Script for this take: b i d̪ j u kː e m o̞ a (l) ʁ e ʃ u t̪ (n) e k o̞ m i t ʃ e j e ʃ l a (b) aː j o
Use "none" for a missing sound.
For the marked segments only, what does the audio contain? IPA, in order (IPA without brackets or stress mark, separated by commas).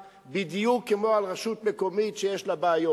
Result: l, m, b